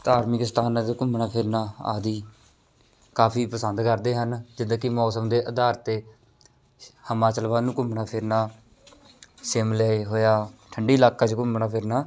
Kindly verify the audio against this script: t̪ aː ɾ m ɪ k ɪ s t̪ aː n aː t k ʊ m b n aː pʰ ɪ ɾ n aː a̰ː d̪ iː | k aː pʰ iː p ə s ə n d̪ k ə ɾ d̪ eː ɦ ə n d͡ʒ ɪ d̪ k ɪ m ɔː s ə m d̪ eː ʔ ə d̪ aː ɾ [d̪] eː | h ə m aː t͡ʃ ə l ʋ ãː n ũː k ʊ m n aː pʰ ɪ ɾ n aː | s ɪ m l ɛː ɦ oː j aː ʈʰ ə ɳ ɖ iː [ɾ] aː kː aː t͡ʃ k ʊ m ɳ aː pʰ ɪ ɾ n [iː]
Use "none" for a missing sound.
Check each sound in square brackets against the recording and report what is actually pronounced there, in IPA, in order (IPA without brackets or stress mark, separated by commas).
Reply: t̪, l, aː